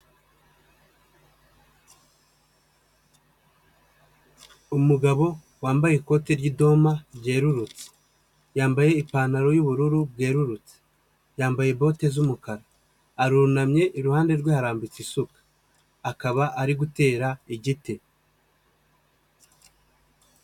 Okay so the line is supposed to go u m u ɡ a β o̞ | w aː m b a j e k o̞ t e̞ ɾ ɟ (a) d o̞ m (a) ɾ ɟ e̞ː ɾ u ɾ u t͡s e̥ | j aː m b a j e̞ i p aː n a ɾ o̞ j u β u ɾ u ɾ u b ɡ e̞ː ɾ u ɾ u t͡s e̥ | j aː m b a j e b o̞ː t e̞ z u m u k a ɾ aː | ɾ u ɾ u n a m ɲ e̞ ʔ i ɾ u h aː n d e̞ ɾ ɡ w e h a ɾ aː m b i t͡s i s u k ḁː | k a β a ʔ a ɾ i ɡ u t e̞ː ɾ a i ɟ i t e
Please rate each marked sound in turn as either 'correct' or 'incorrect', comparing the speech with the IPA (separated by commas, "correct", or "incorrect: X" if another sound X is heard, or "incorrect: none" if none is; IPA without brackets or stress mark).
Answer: incorrect: i, correct